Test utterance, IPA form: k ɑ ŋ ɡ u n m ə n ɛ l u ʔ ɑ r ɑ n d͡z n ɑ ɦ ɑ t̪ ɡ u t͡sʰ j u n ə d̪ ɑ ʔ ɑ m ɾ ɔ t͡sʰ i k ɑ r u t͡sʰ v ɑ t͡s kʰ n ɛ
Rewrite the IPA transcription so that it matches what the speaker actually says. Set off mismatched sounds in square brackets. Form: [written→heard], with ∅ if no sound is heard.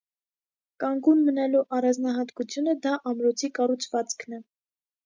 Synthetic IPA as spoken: k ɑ ŋ ɡ u n m ə n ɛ l u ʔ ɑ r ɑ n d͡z n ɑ ɦ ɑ t̪ [ɡ→k] u t͡sʰ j u n ə d̪ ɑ ʔ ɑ m ɾ ɔ t͡sʰ i k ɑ r u t͡sʰ v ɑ t͡s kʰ n ɛ